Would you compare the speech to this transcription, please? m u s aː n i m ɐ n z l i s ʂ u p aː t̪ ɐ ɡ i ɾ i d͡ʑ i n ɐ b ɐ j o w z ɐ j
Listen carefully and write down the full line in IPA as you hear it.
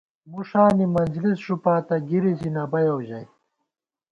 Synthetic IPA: m u ʂ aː n i m ɐ n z l i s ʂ u p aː t̪ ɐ ɡ i ɾ i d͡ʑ i n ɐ b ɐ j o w ʑ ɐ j